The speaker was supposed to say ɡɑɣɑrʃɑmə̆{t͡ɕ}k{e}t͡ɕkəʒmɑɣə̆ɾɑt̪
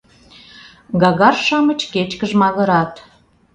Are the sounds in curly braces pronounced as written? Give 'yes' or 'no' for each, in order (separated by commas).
yes, yes